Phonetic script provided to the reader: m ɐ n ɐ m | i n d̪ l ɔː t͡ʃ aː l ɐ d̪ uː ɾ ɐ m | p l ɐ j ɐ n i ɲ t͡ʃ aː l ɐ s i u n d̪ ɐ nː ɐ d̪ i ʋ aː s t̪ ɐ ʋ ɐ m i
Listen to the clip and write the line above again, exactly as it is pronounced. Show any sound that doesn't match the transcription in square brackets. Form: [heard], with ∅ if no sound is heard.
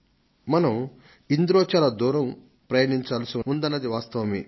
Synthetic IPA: m ɐ n ɐ m | i n d̪ [ɾ] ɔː t͡ʃ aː l ɐ d̪ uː ɾ ɐ m | p [ɾ] ɐ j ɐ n i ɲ t͡ʃ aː l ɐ s i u n d̪ ɐ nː ɐ d̪ i ʋ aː s t̪ ɐ ʋ ɐ m i